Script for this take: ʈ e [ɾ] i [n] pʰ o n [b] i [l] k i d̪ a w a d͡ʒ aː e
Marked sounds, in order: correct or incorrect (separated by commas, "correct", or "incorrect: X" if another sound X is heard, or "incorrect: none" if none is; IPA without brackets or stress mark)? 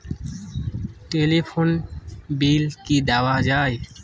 incorrect: l, incorrect: none, correct, correct